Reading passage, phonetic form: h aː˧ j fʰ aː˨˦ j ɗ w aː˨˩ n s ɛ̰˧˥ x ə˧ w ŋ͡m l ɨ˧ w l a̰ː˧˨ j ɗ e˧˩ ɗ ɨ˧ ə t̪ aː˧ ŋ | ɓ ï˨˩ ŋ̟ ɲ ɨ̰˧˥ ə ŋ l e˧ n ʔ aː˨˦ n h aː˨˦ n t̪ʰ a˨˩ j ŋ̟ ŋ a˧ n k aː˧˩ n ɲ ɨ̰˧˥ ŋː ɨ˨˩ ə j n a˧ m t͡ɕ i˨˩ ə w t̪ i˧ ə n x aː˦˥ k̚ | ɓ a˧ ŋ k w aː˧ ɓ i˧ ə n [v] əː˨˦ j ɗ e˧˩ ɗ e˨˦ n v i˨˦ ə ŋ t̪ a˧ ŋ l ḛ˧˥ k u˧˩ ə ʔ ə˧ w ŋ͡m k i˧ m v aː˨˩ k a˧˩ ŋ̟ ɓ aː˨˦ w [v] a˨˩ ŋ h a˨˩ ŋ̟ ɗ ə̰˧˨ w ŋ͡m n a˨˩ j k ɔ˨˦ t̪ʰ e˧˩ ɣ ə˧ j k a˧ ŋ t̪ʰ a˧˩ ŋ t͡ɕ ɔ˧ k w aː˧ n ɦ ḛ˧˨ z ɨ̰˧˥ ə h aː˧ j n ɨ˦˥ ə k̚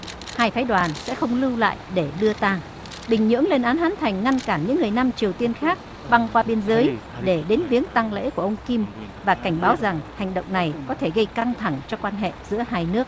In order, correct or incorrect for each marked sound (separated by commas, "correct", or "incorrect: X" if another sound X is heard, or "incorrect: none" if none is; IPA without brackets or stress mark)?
incorrect: z, incorrect: z